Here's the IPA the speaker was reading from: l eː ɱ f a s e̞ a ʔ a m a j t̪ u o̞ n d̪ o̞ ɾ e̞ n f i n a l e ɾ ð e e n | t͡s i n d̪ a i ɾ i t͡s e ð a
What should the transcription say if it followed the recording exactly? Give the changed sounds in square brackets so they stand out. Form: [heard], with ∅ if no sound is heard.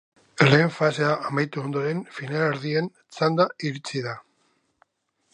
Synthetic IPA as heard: l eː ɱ f a s e̞ a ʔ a m a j t̪ u o̞ n d̪ o̞ ɾ e̞ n f i n a l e ɾ ð [i] e n | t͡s [a] n d̪ a i ɾ i t͡s [i] ð a

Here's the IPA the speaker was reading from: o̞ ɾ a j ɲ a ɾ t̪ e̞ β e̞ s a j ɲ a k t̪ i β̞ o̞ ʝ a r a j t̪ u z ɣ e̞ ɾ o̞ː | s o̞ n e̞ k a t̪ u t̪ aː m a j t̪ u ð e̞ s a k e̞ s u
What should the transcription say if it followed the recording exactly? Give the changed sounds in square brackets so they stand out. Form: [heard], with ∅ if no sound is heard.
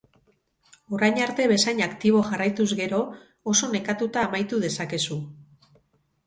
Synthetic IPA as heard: o̞ ɾ a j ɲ a ɾ t̪ e̞ β e̞ s a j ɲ a k t̪ i β̞ o̞ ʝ a r a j t̪ u z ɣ e̞ ɾ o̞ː | s o̞ n e̞ k a t̪ u t̪ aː m a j t̪ u ð e̞ s a k e̞ s u

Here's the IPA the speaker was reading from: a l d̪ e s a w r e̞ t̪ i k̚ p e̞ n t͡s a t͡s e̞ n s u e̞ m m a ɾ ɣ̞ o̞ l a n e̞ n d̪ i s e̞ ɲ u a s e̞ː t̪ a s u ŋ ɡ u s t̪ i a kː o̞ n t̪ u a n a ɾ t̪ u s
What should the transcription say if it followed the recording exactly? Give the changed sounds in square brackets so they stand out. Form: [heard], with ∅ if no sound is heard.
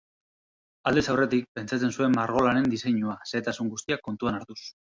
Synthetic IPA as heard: a l d̪ e s a w r e̞ t̪ i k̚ p e̞ n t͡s a t͡s e̞ n s u e̞ m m a ɾ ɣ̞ o̞ l a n e̞ n d̪ i s e̞ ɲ u a s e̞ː t̪ a s u ŋ ɡ u s t̪ i a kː o̞ n t̪ u a n a ɾ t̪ u s

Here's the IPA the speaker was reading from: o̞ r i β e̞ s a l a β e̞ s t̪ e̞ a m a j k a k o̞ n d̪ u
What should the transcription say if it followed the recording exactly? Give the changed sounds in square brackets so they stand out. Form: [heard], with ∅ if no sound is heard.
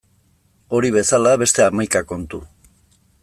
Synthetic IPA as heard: o̞ [ɾ] i β e̞ s a l a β e̞ s t̪ e̞ a m a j k a k o̞ n [t̪] u

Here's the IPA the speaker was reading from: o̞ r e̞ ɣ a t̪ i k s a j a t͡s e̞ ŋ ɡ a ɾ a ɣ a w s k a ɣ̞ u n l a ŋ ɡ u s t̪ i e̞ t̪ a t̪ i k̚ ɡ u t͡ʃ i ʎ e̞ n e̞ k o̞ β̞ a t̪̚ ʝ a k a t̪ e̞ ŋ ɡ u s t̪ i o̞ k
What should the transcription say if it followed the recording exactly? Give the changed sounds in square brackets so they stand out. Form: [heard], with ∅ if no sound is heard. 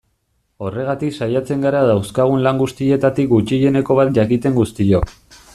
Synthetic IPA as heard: o̞ r e̞ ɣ a t̪ i k s a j a t͡s e̞ ŋ ɡ a ɾ a [ð] a w s k a ɣ̞ u n l a ŋ ɡ u s t̪ i e̞ t̪ a t̪ i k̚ ɡ u t͡ʃ i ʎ e̞ n e̞ k o̞ β̞ a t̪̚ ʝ a k [i] t̪ e̞ ŋ ɡ u s t̪ i o̞ k

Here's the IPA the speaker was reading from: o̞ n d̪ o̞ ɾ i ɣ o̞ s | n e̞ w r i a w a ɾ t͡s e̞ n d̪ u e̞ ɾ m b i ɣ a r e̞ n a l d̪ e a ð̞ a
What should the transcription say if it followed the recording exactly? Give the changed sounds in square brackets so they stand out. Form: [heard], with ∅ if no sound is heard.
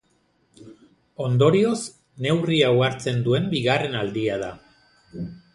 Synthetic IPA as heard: o̞ n d̪ o̞ ɾ i [∅] o̞ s | n e̞ w r i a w a ɾ t͡s e̞ n d̪ u e̞ [∅] m b i ɣ a r e̞ n a l d̪ [i] a ð̞ a

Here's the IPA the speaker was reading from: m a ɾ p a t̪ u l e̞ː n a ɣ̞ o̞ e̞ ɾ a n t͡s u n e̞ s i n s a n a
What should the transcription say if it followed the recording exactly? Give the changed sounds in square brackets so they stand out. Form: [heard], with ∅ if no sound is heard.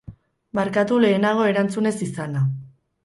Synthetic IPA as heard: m a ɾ [k] a t̪ u l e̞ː n a ɣ̞ o̞ e̞ ɾ a n t͡s u n e̞ s i [∅] s a n a

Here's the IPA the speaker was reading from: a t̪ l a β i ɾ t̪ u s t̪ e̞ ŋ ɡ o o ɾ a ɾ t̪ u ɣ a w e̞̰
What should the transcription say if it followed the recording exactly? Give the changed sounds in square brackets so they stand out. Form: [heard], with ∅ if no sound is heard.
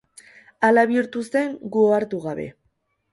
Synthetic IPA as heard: a [∅] l a β i ɾ t̪ u s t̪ e̞ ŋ ɡ [u] o [∅] a ɾ t̪ u ɣ a [β] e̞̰

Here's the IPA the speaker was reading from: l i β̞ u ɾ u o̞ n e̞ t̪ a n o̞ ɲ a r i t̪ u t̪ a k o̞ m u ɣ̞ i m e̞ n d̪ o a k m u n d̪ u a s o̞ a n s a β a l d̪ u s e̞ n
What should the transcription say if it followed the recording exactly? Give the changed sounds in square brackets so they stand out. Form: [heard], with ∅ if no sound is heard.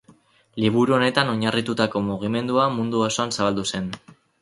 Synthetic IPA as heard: l i β̞ u ɾ u o̞ n e̞ t̪ a n o̞ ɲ a r i t̪ u t̪ a k o̞ m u ɣ̞ i m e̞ n d̪ [u] a [∅] m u n d̪ u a s o̞ a n s a β a l d̪ u s e̞ n

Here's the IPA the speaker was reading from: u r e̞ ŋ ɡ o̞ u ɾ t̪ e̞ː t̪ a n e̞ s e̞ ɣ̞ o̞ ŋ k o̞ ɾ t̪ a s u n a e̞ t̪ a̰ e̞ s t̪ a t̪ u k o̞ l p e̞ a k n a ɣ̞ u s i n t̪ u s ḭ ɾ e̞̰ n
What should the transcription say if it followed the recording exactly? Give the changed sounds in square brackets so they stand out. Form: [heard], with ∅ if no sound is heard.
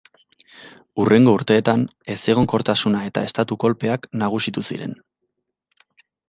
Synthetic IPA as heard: u r e̞ ŋ ɡ o̞ u ɾ t̪ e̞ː t̪ a n e̞ s e̞ ɣ̞ o̞ ŋ k o̞ ɾ t̪ a s u n a e̞ t̪ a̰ e̞ s t̪ a t̪ u k o̞ l p e̞ a k n a ɣ̞ u s i [∅] t̪ u s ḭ ɾ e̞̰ n

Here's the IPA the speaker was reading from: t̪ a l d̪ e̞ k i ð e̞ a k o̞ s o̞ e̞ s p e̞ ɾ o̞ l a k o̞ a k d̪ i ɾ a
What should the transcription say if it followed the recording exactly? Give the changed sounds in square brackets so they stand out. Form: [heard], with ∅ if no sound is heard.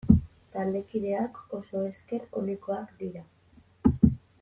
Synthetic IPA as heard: t̪ a l d̪ e̞ k i ð e̞ a k o̞ s o̞ e̞ s [k] e̞ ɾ o̞ l [i] k o̞ a k d̪ i ɾ a

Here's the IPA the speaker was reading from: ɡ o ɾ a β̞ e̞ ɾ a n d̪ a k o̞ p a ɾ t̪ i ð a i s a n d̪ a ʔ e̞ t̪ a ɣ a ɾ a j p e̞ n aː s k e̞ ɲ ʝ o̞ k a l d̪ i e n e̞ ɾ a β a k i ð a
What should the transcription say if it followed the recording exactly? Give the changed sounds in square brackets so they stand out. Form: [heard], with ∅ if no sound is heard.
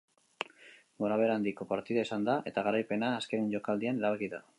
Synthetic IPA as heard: ɡ o ɾ a β̞ e̞ ɾ a n d̪ [i] k o̞ p a ɾ t̪ i ð a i s a n d̪ a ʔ e̞ t̪ a ɣ a ɾ a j p e̞ n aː s k e̞ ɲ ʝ o̞ k a l d̪ i [a] n e̞ ɾ a β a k i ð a

